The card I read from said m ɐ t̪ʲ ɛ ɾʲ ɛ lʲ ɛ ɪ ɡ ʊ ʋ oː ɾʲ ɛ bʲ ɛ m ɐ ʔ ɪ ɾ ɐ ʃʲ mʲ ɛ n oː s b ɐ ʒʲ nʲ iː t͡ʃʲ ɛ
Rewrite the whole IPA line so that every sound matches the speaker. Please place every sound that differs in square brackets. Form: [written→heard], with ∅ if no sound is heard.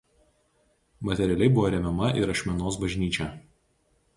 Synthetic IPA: m ɐ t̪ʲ ɛ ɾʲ ɛ lʲ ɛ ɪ [ɡ→b] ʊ ʋ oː ɾʲ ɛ [bʲ→mʲ] ɛ m ɐ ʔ ɪ ɾ ɐ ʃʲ mʲ ɛ n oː s b ɐ ʒʲ nʲ iː t͡ʃʲ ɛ